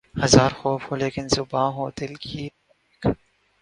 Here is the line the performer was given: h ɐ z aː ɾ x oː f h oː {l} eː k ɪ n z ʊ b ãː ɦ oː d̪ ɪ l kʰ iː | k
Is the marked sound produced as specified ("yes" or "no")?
yes